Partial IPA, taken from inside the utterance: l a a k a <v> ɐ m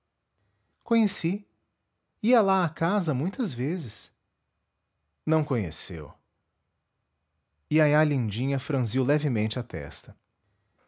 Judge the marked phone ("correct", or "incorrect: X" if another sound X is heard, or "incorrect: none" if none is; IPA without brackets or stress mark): incorrect: z